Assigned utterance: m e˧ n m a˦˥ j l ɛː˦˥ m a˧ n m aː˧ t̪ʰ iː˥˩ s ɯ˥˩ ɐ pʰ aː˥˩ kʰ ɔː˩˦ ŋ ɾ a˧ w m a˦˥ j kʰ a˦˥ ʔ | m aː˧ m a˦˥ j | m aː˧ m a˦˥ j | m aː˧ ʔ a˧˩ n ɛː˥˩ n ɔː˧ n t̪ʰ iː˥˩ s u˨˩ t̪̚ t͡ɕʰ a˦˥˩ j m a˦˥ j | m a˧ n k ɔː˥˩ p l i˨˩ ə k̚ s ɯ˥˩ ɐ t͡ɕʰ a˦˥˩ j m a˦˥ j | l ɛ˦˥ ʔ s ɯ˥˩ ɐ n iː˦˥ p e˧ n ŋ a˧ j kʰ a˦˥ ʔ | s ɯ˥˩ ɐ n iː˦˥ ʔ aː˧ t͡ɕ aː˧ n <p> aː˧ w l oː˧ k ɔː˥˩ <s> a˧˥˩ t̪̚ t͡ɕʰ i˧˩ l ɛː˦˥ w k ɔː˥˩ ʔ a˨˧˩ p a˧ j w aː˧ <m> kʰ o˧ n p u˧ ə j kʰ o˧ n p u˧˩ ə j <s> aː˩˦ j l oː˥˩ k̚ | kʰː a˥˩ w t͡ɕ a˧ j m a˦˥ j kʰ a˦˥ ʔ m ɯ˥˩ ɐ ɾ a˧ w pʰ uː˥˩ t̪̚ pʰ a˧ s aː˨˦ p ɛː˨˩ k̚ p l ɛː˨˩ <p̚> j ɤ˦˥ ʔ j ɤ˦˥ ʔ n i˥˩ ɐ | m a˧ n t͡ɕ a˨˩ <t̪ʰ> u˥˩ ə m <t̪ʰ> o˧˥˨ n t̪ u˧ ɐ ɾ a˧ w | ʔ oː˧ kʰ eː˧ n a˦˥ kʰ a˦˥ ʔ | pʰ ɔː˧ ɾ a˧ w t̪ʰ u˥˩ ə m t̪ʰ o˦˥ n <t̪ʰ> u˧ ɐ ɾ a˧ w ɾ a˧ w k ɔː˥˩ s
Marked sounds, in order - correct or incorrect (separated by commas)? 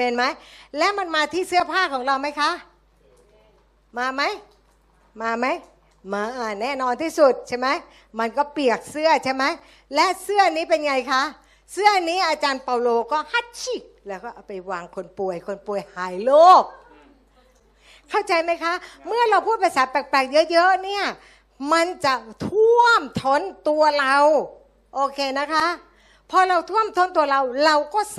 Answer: correct, incorrect, incorrect, incorrect, incorrect, correct, correct, incorrect